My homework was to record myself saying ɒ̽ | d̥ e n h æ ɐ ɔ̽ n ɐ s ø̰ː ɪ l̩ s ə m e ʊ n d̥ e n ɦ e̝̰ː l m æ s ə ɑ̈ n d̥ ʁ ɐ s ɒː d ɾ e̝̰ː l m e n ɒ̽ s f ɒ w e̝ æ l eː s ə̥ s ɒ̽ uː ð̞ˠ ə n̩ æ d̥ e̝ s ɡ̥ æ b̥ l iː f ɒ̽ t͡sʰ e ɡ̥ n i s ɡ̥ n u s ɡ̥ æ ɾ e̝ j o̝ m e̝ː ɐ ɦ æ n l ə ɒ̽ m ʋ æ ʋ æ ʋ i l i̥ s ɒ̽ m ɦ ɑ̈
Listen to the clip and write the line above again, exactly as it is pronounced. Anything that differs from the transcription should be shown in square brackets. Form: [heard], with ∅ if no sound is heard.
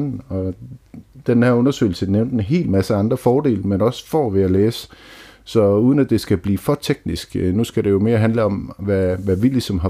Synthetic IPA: ɒ̽ | d̥ e n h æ ɐ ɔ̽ n ɐ s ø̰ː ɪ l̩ s ə [n] e ʊ n d̥ e n ɦ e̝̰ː l m æ s ə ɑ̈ n d̥ ʁ ɐ [f] ɒː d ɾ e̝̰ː l m e n ɒ̽ s f ɒ [ʋ] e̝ æ l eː s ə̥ s ɒ̽ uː ð̞ˠ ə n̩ æ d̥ e̝ s ɡ̥ æ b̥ l iː f ɒ̽ t͡sʰ e ɡ̥ n i s ɡ̥ n u s ɡ̥ æ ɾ e̝ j o̝ m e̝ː ɐ ɦ æ n l ə ɒ̽ m ʋ æ ʋ æ ʋ i l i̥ s ɒ̽ m ɦ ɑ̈